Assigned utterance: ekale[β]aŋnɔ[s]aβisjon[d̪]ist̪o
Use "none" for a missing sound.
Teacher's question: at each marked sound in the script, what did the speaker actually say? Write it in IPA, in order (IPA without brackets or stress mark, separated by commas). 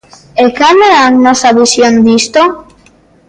none, s, d̪